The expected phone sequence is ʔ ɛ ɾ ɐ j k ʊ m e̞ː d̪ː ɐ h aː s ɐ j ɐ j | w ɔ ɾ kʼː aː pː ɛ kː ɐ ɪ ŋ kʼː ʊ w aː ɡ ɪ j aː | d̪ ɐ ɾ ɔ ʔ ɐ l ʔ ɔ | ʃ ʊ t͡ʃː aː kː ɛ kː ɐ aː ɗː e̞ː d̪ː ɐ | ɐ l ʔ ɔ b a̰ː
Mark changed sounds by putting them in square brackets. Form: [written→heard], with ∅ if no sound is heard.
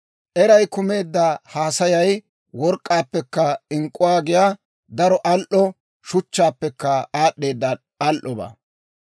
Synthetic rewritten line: ʔ ɛ ɾ ɐ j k ʊ m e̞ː d̪ː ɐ h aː s ɐ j ɐ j | w ɔ ɾ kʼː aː pː ɛ kː ɐ ɪ ŋ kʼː ʊ w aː ɡ ɪ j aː | d̪ ɐ ɾ ɔ ʔ ɐ l ʔ ɔ | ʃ ʊ t͡ʃː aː [kː→pː] ɛ kː ɐ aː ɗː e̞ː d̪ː ɐ | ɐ l ʔ ɔ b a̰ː